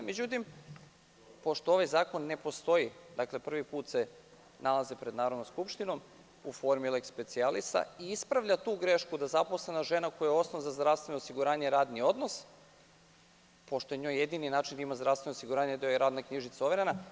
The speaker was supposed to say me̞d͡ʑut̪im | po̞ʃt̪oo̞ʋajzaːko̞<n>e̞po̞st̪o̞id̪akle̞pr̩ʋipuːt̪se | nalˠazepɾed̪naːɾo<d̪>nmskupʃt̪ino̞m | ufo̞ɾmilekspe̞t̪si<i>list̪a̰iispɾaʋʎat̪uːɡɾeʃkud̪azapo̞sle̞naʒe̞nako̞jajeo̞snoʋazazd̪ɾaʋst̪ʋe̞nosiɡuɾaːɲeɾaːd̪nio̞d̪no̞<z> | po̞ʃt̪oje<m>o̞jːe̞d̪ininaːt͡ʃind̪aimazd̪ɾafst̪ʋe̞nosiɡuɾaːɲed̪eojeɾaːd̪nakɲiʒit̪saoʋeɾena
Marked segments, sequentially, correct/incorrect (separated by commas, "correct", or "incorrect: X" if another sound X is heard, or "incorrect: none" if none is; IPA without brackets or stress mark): incorrect: nː, correct, incorrect: a, incorrect: s, incorrect: ɲ